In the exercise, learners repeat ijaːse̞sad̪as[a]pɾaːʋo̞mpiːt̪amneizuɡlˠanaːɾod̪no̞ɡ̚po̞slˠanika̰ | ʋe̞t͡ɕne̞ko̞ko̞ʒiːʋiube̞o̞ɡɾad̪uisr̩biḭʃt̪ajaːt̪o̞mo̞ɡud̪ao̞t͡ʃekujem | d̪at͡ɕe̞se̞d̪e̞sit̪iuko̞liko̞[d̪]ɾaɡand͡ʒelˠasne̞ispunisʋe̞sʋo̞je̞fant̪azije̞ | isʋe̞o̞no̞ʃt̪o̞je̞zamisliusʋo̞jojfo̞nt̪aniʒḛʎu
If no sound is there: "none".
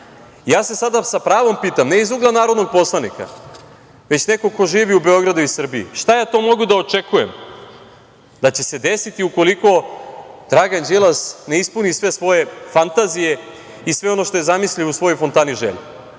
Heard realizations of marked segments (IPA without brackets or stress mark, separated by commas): a, d̪